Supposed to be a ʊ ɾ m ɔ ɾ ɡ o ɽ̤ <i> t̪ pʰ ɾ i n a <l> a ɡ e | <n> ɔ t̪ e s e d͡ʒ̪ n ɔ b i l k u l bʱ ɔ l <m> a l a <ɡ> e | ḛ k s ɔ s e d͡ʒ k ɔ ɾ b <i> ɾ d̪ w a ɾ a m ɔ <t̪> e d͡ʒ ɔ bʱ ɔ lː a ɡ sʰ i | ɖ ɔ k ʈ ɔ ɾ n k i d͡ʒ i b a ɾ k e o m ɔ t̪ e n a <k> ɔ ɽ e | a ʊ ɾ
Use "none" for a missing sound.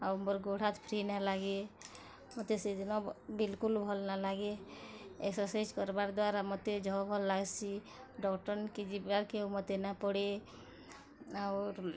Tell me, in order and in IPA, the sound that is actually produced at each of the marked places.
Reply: a, l, m, n, ɡ, a, t̪, p

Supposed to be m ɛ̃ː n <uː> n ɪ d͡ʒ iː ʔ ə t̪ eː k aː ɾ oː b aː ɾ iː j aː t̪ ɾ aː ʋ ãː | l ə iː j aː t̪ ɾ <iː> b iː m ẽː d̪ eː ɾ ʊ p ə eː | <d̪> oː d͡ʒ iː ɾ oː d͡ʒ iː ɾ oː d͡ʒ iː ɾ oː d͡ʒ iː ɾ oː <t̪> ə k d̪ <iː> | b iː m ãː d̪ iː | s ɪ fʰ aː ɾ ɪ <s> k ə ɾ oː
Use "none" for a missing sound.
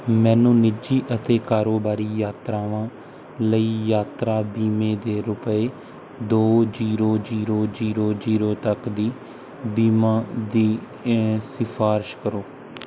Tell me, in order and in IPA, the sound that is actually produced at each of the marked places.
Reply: ũː, aː, d̪, t̪, iː, ʃ

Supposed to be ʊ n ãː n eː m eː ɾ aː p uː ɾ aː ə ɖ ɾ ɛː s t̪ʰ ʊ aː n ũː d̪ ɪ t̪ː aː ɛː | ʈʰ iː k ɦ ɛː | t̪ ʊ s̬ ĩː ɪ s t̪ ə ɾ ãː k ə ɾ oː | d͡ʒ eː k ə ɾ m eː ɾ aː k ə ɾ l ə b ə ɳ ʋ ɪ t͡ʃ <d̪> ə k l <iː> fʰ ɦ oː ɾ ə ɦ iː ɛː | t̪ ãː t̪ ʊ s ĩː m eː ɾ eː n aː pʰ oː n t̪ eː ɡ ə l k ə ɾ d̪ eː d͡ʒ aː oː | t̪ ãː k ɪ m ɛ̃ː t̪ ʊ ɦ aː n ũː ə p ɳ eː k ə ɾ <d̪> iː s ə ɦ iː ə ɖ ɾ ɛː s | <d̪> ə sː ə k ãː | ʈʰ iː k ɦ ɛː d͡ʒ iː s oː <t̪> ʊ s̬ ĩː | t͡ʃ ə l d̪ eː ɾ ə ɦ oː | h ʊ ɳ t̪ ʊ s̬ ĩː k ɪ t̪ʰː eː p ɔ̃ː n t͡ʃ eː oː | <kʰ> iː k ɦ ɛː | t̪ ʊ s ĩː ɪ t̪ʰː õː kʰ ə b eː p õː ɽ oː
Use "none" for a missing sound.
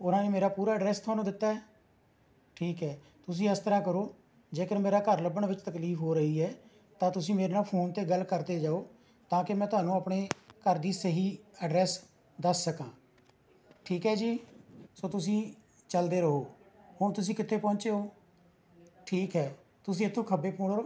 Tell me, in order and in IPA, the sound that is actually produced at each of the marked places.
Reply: t̪, iː, d̪, d̪, t̪, ʈʰ

